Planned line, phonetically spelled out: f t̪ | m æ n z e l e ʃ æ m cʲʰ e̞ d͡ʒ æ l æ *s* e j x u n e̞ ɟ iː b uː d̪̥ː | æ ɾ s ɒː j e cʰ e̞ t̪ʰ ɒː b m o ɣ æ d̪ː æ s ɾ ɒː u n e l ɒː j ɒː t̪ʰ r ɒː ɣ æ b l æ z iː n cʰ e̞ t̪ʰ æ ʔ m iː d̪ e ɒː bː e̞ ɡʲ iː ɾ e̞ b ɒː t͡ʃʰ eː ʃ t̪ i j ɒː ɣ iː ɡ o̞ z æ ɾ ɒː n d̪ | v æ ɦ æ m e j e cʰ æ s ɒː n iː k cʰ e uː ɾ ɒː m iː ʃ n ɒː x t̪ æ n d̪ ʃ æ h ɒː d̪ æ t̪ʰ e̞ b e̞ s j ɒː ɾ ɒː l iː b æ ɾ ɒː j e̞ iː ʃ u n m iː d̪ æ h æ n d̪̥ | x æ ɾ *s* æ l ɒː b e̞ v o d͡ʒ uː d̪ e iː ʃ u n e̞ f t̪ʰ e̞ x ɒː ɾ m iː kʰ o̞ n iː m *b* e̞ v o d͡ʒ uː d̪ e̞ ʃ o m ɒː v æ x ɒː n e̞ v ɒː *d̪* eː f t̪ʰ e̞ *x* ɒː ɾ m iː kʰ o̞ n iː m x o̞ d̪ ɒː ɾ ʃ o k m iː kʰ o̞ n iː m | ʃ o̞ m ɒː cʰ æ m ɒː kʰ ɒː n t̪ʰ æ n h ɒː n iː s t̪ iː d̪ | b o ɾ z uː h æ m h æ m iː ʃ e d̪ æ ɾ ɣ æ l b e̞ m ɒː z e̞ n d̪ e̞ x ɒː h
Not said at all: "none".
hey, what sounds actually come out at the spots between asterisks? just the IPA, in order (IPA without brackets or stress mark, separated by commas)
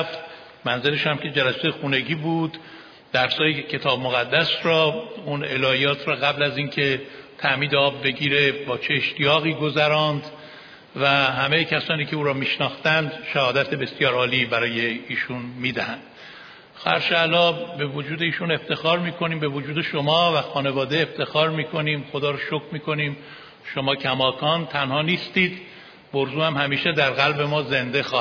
s, ʃ, b, d̪, x